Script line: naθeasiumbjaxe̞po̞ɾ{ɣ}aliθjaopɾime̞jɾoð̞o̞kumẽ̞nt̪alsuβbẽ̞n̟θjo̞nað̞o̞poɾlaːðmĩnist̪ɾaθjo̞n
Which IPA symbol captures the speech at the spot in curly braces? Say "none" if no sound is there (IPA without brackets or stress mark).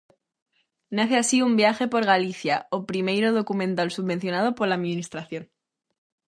ɣ